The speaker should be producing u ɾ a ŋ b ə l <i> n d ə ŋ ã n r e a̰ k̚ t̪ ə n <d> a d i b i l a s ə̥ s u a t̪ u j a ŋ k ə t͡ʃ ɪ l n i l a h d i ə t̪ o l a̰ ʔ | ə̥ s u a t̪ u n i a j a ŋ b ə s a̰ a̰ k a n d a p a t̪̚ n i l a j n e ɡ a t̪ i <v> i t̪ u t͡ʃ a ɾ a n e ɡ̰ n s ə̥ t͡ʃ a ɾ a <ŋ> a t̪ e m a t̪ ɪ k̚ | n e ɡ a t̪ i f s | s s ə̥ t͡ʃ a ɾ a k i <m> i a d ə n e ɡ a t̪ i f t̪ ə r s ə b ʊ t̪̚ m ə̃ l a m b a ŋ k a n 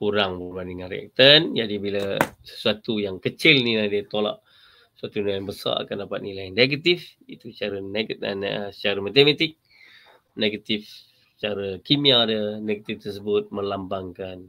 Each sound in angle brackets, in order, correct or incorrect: incorrect, incorrect, incorrect, incorrect, correct

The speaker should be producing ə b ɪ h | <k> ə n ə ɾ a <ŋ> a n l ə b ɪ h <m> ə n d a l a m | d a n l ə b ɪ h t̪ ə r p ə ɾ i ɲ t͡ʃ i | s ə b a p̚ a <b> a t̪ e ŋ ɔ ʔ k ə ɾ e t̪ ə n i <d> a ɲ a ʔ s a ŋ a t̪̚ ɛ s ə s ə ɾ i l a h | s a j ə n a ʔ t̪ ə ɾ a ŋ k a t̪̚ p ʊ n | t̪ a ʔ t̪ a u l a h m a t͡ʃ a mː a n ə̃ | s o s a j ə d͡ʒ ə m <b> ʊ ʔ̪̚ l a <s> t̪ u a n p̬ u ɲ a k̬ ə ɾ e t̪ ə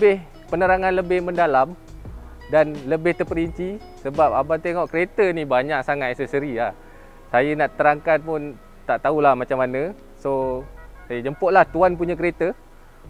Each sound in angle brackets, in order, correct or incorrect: incorrect, correct, correct, correct, incorrect, incorrect, incorrect

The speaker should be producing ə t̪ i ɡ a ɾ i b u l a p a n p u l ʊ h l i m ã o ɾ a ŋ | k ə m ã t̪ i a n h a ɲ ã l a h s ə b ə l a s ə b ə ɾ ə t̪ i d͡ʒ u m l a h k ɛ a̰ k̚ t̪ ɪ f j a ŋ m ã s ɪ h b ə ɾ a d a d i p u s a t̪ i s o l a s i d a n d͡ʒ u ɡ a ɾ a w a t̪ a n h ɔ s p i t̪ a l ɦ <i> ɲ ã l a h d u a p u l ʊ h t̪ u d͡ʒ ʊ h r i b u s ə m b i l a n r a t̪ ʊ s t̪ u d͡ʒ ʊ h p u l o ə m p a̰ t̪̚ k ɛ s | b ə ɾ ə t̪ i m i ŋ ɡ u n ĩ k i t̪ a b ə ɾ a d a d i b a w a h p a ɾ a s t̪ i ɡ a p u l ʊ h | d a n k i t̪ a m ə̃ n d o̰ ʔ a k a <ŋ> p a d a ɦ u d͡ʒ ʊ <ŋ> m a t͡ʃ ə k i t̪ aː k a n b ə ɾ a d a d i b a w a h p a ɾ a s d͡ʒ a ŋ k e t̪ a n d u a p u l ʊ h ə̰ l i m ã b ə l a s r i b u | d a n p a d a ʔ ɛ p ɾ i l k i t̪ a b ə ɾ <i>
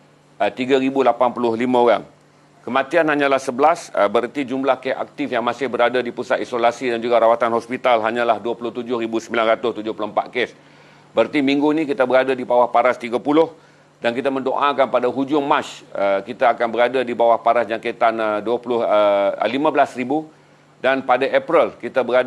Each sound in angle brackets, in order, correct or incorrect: incorrect, incorrect, correct, incorrect

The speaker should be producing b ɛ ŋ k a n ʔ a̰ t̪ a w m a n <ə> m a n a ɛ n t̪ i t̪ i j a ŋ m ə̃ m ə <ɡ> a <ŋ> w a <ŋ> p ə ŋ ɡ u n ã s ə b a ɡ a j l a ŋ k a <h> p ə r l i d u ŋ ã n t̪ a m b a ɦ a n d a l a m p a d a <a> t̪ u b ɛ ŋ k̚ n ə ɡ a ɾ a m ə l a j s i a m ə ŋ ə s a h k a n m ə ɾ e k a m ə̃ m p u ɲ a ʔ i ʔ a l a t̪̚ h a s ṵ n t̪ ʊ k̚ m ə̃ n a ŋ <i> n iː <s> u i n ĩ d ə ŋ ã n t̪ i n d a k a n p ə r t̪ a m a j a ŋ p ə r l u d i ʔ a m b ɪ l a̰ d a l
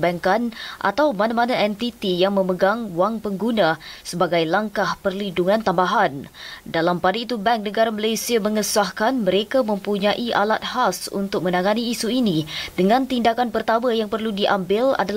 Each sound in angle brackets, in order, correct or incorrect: incorrect, correct, correct, correct, correct, incorrect, incorrect, correct

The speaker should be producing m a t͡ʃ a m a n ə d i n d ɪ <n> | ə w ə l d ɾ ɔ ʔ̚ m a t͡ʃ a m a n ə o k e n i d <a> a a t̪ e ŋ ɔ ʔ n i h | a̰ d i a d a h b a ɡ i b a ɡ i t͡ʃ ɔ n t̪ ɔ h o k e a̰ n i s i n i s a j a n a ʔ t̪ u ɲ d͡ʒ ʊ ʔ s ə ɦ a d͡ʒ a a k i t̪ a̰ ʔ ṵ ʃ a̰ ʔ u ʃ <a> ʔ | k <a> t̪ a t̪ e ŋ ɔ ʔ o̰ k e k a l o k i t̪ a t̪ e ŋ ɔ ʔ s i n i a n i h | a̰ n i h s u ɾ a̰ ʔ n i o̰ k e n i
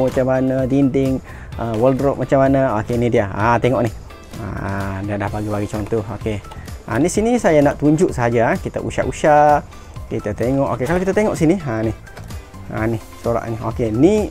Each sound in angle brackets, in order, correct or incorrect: incorrect, incorrect, correct, incorrect

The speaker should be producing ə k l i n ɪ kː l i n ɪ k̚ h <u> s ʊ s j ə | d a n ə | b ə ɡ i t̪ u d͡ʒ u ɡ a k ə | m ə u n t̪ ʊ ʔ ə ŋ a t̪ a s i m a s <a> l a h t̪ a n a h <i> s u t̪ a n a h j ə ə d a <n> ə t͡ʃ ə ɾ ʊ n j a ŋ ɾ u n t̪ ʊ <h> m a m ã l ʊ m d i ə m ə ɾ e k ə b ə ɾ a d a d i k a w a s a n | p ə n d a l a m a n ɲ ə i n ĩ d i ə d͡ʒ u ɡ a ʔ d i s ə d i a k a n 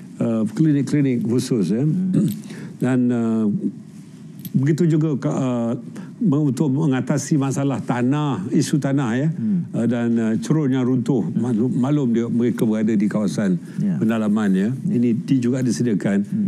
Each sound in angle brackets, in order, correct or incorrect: correct, correct, correct, correct, correct

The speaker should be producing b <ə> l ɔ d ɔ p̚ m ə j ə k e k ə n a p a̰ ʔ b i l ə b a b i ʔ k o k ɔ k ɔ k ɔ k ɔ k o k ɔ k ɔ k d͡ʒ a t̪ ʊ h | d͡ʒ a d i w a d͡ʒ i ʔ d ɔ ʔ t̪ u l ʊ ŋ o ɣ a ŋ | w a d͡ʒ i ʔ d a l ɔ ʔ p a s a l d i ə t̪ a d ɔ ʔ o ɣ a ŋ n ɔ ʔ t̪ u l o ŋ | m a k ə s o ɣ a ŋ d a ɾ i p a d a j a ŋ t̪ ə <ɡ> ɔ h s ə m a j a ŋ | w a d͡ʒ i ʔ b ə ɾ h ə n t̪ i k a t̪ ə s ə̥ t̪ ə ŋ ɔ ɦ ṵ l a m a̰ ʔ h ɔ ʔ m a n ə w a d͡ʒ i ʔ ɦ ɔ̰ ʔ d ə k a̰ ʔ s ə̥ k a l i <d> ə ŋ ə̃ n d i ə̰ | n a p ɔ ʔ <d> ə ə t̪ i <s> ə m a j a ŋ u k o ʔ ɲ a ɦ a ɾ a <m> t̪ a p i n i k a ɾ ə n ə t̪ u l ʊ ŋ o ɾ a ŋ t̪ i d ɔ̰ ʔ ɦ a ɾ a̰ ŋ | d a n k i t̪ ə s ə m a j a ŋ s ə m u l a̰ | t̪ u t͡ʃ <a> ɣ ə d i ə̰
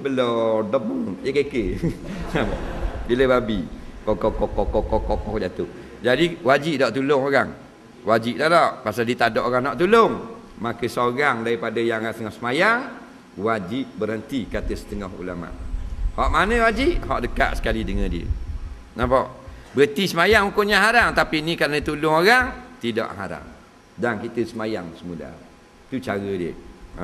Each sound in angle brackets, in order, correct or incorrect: correct, incorrect, correct, incorrect, correct, incorrect, correct

